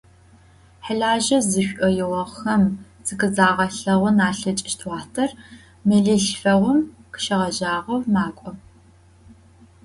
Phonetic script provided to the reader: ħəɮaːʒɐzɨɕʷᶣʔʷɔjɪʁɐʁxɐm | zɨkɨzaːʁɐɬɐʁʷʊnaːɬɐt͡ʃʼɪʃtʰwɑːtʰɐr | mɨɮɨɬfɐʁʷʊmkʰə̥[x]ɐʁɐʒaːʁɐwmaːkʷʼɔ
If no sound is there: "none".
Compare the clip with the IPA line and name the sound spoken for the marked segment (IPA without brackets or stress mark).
ʃ